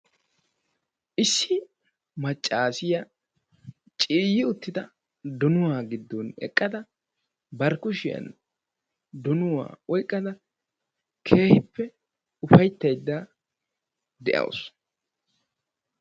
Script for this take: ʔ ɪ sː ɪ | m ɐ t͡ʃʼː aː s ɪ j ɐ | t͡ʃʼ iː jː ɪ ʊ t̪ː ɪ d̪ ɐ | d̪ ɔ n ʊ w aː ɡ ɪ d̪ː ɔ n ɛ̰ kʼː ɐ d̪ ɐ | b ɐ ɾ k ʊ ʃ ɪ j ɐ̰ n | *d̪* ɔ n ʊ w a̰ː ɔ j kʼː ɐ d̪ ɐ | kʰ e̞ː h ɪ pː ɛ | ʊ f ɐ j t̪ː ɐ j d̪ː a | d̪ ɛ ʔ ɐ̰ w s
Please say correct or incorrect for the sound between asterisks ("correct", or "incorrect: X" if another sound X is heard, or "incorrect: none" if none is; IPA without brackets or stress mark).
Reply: correct